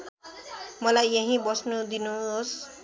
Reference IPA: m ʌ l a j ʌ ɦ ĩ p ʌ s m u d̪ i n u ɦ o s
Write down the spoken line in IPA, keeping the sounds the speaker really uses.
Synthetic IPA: m ʌ l a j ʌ ɦ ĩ b ʌ s n u d̪ i n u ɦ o s